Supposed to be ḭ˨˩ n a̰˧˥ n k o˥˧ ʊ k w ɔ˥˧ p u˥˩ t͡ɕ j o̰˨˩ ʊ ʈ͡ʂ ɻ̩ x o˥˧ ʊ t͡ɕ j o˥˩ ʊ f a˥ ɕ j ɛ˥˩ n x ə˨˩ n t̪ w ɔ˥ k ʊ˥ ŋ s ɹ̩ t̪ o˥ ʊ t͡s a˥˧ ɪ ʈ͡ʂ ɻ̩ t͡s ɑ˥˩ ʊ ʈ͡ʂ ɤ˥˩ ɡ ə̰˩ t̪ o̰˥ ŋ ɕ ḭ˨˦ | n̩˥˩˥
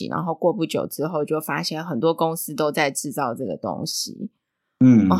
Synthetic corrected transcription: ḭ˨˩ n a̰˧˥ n x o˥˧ ʊ k w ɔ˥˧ p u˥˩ t͡ɕ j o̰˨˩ ʊ ʈ͡ʂ ɻ̩ x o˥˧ ʊ t͡ɕ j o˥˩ ʊ f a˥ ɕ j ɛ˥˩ n x ə˨˩ n t̪ w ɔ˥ k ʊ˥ ŋ s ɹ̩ t̪ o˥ ʊ t͡s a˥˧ ɪ ʈ͡ʂ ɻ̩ t͡s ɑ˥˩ ʊ ʈ͡ʂ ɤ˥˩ ɡ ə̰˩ t̪ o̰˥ ŋ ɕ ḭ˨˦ | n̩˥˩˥